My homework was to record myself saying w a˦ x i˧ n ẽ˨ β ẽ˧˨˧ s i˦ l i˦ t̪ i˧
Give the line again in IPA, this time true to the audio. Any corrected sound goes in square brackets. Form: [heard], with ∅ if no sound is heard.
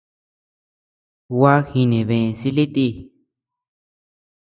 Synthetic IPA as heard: w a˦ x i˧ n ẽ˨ β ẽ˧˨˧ s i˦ l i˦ t̪ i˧